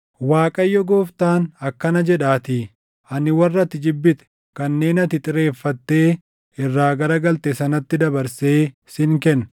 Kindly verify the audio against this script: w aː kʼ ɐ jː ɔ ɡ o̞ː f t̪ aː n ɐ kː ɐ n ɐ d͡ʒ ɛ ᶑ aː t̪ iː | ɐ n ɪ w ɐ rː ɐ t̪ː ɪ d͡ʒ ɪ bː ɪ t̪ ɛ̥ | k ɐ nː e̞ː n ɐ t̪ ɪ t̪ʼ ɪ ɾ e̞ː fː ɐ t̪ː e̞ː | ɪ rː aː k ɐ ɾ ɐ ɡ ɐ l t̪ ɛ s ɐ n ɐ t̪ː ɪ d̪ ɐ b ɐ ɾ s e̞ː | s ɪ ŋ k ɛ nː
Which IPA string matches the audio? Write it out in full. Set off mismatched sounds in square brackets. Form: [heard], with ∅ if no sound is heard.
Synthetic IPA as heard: w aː kʼ ɐ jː ɔ ɡ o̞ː f t̪ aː n ɐ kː ɐ n ɐ d͡ʒ ɛ ᶑ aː t̪ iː | ɐ n ɪ w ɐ rː ɐ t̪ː ɪ d͡ʒ ɪ bː ɪ t̪ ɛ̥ | k ɐ nː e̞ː n ɐ t̪ ɪ t̪ʼ ɪ ɾ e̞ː fː ɐ t̪ː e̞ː | ɪ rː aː [ɡ] ɐ ɾ ɐ ɡ ɐ l t̪ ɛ s ɐ n ɐ t̪ː ɪ d̪ ɐ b ɐ ɾ s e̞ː | s ɪ ŋ k ɛ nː